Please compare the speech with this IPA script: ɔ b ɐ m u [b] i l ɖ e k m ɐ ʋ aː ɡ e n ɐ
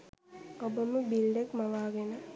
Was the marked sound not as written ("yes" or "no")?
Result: no